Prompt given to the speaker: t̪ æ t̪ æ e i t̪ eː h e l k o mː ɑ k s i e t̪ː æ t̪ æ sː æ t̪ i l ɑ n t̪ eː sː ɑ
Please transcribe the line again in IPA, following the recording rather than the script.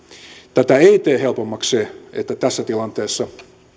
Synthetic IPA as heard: t̪ æ t̪ æ e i t̪ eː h e l p o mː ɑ k s e e t̪ː æ t̪ æ sː æ t̪ i l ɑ n t̪ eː sː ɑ